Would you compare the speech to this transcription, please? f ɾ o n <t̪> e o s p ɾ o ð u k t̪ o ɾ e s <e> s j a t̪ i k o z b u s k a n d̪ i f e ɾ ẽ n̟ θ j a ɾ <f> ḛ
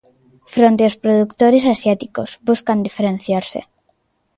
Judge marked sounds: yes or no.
yes, no, no

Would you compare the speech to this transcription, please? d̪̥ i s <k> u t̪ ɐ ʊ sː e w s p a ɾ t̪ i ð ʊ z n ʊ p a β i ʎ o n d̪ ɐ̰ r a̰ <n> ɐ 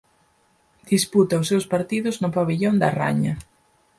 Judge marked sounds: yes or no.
no, no

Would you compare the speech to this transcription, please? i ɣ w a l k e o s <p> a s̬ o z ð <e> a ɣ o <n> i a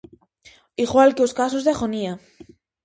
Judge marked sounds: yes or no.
no, yes, yes

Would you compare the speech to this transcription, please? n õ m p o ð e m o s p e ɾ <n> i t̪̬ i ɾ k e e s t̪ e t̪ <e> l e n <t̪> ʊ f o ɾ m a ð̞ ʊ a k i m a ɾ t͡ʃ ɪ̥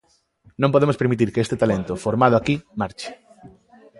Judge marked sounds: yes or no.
no, no, yes

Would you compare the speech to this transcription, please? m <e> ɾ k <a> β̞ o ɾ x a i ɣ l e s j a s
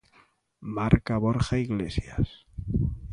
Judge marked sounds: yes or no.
no, yes

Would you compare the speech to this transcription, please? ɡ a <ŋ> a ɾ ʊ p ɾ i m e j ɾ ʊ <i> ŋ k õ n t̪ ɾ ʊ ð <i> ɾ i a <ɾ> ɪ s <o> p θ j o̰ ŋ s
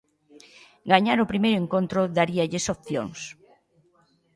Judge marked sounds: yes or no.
no, no, no, no, yes

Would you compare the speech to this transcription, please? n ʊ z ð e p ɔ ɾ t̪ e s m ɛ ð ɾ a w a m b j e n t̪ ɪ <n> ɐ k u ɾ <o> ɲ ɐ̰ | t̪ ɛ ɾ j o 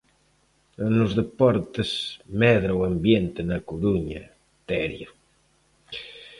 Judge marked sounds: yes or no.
yes, no

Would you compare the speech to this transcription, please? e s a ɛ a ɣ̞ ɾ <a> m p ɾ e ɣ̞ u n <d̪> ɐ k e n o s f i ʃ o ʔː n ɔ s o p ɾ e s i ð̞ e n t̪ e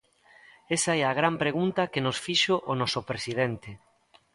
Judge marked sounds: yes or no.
yes, no

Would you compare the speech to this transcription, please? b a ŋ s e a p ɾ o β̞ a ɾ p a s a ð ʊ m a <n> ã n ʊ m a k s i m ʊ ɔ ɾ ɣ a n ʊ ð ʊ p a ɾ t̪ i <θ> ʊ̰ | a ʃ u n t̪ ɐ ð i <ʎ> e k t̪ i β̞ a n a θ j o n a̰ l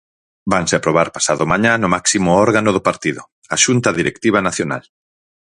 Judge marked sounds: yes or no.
no, no, no

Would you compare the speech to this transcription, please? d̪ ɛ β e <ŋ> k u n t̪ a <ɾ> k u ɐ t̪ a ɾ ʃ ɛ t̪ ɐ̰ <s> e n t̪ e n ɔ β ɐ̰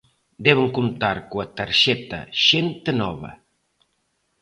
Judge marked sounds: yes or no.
yes, yes, no

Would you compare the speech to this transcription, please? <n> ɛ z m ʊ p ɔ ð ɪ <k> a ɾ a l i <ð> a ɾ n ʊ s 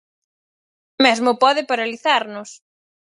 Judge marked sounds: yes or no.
no, no, no

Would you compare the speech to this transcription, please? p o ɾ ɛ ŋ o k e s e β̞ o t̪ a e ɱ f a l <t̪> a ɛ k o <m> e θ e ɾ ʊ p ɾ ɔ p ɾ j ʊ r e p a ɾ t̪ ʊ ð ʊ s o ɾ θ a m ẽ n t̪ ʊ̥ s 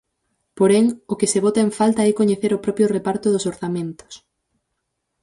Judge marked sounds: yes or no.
yes, no

